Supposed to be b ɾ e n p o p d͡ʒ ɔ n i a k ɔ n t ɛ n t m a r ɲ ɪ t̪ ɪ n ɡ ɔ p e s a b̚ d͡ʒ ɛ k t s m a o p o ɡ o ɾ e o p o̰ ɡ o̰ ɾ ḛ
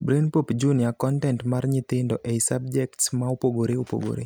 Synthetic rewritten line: b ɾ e n p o p d͡ʒ u n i a k ɔ n t ɛ n t m a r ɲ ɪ t̪ ɪ n d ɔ ʔ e s a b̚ d͡ʒ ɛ k t s m a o p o ɡ o ɾ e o p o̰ ɡ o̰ ɾ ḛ